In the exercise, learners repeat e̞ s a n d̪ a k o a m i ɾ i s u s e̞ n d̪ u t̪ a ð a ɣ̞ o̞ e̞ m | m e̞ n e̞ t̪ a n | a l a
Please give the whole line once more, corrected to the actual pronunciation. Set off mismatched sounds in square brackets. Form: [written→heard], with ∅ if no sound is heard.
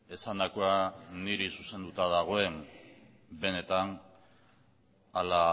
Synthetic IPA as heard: e̞ s a n d̪ a k o a [m→n] i ɾ i s u s e̞ n d̪ u t̪ a ð a ɣ̞ o̞ e̞ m | [m→b] e̞ n e̞ t̪ a n | a l a